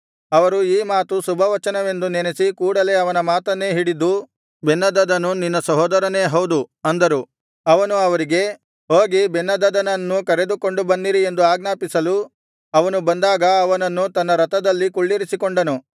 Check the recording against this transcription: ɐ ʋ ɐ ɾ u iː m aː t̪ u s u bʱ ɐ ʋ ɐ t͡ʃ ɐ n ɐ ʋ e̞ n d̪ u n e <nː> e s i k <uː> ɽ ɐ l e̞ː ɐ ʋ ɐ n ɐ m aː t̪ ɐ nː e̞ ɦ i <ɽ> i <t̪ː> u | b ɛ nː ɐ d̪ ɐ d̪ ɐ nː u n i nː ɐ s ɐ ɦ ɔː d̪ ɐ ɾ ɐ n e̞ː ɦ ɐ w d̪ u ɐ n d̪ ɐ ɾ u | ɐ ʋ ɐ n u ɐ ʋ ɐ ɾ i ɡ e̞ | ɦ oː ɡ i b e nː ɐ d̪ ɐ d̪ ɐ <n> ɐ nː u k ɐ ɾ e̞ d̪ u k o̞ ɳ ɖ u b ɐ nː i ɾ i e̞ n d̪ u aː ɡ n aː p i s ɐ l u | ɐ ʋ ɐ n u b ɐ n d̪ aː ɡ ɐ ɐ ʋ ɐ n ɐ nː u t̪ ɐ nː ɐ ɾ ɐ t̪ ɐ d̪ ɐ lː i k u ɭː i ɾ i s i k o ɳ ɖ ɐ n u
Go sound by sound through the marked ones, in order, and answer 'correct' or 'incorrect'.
incorrect: n, correct, correct, incorrect: d̪ː, correct

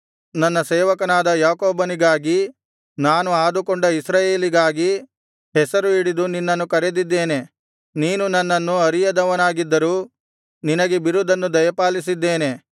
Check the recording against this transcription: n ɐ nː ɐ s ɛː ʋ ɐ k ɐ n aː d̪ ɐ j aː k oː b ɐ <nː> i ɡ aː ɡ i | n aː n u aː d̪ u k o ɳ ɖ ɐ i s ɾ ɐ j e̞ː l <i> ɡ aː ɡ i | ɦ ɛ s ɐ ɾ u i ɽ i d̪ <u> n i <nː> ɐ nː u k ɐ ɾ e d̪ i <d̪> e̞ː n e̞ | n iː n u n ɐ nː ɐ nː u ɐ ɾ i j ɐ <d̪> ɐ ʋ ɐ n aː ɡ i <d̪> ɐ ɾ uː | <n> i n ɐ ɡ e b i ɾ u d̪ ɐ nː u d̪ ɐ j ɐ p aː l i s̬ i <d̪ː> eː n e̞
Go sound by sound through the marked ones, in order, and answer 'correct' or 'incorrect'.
incorrect: n, correct, correct, correct, incorrect: d̪ː, correct, incorrect: d̪ː, correct, correct

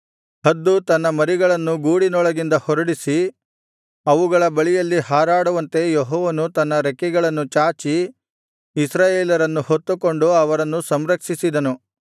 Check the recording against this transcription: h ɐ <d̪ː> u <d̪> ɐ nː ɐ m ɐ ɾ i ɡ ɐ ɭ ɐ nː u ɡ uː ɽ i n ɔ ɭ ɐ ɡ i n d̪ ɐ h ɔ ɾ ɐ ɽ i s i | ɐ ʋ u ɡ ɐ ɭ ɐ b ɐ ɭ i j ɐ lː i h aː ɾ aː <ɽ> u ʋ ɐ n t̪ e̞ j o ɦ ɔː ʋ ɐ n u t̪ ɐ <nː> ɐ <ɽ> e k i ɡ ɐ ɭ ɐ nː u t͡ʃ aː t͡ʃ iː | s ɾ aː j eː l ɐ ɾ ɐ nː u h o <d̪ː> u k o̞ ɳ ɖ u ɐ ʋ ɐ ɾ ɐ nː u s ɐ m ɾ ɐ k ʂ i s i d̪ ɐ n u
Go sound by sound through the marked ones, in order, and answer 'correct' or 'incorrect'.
correct, incorrect: t̪, correct, correct, incorrect: ɾ, incorrect: t̪ː

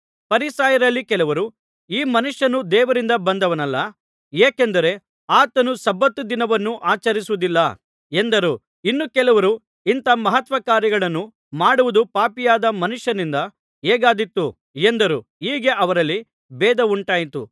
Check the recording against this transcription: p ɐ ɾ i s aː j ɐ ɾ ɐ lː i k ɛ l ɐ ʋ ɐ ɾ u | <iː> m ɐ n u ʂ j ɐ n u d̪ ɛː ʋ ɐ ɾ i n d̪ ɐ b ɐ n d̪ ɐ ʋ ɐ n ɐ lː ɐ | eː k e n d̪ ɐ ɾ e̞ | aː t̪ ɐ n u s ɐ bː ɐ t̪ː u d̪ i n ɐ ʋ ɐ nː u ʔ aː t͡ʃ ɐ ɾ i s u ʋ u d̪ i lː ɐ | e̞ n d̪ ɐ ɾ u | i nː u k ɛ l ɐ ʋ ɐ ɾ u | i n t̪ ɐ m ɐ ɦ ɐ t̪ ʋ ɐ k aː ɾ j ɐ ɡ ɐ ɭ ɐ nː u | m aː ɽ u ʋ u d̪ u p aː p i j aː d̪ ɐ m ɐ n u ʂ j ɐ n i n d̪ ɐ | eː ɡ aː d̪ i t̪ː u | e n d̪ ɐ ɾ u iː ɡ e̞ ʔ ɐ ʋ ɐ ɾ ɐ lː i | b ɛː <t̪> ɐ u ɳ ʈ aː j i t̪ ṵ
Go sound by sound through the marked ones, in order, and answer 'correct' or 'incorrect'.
correct, incorrect: d̪

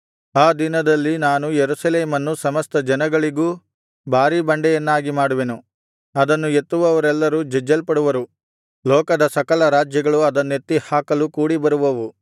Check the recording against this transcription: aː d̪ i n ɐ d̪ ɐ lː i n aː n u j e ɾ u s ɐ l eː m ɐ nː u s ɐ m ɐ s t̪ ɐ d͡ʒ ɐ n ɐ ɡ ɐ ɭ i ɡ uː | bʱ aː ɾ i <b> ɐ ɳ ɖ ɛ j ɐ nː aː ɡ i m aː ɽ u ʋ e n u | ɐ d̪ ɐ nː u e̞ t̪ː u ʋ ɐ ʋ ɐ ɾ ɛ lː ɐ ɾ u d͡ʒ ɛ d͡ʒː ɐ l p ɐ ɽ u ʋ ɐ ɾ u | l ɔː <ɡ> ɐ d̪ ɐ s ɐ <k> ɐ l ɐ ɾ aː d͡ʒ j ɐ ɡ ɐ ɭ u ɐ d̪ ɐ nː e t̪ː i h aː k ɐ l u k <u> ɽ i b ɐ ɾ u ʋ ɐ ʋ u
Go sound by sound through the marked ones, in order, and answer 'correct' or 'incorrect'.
correct, incorrect: k, correct, incorrect: uː

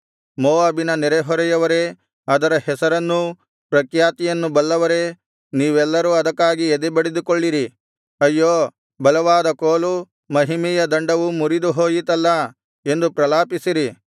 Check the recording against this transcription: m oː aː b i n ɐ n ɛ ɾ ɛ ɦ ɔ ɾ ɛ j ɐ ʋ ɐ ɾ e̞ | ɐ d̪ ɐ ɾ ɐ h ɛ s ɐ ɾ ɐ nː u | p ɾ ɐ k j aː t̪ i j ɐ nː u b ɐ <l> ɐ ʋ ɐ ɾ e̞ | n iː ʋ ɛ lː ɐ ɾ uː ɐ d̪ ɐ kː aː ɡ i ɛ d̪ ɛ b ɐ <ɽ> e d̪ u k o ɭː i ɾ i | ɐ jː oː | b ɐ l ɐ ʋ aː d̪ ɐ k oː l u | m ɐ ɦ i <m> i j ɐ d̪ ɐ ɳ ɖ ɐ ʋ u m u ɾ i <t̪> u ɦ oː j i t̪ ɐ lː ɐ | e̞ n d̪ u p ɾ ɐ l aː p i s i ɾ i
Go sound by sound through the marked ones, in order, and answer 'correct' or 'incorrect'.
incorrect: lː, correct, correct, incorrect: d̪

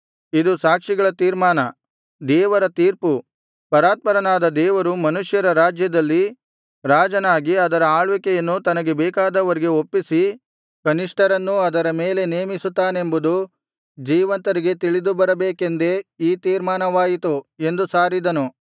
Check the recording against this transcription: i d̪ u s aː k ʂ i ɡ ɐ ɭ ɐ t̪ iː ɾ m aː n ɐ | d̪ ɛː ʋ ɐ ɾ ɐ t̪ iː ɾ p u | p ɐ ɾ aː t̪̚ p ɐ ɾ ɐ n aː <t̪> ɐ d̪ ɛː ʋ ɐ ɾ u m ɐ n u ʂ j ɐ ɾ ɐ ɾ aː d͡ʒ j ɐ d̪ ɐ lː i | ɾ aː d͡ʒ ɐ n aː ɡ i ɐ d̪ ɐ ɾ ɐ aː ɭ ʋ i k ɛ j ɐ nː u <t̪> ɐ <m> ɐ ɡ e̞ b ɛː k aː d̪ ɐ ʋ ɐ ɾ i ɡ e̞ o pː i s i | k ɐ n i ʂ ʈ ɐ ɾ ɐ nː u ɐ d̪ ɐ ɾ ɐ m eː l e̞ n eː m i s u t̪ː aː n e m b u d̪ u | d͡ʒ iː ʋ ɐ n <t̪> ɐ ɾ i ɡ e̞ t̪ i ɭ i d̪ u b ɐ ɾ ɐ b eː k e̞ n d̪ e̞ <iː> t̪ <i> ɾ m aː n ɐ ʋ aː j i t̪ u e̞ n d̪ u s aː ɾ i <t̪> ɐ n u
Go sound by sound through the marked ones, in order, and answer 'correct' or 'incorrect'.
incorrect: d̪, correct, incorrect: n, correct, correct, incorrect: iː, incorrect: d̪

